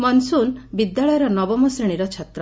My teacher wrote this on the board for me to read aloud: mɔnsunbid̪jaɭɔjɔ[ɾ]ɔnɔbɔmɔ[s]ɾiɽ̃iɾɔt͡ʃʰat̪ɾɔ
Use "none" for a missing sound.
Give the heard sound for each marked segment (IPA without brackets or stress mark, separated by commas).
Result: ɾ, s